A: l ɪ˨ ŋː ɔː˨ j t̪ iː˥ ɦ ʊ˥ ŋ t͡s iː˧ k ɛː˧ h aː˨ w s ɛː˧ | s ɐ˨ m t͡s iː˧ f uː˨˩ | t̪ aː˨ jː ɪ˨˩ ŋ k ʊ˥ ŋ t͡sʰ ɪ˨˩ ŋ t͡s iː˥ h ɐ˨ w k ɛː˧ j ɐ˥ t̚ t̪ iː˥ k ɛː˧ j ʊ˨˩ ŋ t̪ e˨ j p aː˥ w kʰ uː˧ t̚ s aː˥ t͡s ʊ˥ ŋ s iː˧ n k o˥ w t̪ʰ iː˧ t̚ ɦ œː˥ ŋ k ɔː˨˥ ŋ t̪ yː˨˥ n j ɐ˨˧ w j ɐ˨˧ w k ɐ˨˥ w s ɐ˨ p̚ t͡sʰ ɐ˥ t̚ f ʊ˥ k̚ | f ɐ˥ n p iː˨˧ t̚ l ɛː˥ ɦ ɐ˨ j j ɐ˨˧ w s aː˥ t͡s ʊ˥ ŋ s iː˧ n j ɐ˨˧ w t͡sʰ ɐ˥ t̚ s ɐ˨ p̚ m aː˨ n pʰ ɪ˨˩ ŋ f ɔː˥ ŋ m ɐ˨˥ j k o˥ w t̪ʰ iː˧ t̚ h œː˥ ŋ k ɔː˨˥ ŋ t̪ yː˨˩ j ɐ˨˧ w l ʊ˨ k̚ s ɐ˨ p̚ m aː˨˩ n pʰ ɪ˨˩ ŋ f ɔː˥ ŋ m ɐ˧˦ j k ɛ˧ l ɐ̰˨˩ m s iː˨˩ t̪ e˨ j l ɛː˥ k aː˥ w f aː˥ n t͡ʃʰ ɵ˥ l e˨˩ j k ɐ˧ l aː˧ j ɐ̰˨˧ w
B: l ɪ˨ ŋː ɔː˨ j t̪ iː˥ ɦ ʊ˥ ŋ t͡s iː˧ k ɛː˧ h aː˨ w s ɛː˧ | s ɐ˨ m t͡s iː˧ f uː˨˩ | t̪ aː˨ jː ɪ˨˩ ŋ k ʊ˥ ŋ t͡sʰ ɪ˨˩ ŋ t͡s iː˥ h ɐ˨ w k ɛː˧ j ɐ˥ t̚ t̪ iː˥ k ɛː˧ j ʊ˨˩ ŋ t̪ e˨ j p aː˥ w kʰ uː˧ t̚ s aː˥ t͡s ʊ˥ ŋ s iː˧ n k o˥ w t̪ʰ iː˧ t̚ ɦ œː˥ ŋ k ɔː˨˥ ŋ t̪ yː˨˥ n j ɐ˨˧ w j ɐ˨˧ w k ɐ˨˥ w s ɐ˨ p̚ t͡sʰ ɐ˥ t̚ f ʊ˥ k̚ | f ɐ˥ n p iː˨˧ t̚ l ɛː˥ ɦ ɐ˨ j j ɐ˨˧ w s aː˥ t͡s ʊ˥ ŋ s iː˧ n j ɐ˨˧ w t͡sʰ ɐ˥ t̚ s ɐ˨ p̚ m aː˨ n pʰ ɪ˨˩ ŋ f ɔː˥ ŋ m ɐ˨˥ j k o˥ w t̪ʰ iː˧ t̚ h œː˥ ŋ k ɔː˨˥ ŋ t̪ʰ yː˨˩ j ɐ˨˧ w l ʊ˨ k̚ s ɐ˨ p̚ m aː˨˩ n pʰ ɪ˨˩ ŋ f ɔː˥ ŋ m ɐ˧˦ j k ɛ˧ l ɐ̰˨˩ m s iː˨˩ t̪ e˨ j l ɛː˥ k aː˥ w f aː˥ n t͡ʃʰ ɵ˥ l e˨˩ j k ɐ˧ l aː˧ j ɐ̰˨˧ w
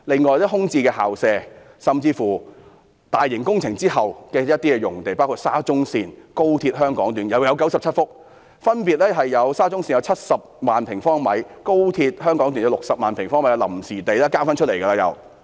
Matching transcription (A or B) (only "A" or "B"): A